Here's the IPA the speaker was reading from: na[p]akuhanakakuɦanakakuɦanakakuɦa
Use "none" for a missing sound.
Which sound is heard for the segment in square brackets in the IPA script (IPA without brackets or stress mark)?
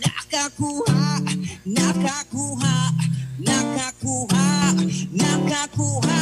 k